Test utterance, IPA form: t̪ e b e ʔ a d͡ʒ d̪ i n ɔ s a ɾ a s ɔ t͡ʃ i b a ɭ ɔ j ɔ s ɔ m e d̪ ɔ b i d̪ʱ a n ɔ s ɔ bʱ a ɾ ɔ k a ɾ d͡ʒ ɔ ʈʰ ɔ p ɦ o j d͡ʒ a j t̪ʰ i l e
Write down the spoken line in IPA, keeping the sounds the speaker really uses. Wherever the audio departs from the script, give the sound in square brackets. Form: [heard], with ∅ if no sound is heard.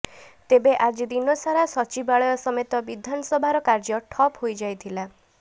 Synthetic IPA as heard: t̪ e b e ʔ a d͡ʒ d̪ i n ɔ s a ɾ a s ɔ t͡ʃ i b a ɭ ɔ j ɔ s ɔ m e [t̪] ɔ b i d̪ʱ a n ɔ s ɔ bʱ a ɾ ɔ k a ɾ d͡ʒ ɔ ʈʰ ɔ p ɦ o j d͡ʒ a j t̪ʰ i l [a]